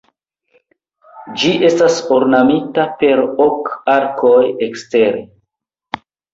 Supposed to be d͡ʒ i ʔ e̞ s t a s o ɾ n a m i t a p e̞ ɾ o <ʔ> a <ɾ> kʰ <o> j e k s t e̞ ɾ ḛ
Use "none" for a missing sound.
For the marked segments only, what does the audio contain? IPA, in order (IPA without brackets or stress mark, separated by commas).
k, ɾ, o